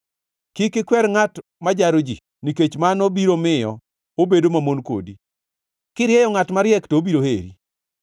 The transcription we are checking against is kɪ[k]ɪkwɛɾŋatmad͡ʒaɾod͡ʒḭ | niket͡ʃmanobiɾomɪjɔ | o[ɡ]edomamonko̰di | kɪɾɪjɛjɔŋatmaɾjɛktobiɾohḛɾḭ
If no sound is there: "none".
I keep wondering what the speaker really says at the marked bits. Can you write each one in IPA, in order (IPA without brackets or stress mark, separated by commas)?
k, b